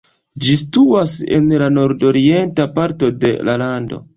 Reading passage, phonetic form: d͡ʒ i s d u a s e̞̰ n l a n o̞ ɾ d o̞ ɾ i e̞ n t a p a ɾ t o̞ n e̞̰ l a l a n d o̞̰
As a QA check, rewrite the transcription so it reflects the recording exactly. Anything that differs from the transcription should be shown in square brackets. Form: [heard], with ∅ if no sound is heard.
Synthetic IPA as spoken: d͡ʒ i s [t] u a s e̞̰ n l a n o̞ ɾ d o̞ ɾ i e̞ n t a p a ɾ t o̞ [d] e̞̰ l a l a n d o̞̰